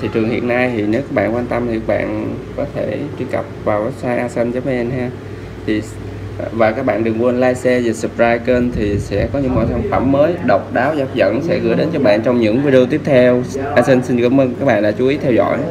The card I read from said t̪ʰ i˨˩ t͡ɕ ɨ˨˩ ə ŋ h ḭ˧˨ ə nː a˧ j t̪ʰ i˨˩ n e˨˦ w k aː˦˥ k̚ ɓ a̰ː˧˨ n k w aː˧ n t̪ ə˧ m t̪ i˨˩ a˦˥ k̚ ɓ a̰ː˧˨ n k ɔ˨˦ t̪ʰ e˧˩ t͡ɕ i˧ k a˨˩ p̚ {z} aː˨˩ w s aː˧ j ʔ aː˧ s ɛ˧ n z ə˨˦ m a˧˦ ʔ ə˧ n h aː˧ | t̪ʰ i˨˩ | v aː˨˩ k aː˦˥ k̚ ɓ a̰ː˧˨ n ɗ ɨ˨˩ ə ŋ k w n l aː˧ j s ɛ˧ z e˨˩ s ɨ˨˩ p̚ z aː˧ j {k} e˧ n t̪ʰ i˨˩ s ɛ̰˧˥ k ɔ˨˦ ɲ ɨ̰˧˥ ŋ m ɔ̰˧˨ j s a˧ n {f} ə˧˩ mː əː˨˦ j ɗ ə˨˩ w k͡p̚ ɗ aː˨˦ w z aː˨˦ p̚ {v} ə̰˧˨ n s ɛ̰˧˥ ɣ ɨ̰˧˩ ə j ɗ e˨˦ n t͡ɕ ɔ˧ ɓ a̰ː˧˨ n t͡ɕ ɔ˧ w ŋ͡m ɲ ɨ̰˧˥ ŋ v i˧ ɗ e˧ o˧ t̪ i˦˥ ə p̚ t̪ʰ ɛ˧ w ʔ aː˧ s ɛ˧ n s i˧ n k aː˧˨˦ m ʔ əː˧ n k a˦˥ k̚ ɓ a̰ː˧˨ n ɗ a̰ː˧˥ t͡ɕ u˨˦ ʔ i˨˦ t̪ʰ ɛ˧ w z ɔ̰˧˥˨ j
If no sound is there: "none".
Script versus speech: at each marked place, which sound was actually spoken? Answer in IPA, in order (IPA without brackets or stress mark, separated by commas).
v, k, f, z